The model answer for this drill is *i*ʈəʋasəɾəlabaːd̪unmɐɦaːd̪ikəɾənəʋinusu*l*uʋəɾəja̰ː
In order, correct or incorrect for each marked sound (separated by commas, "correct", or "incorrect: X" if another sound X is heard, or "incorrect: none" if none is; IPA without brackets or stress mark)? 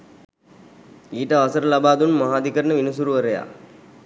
incorrect: iː, incorrect: ɾ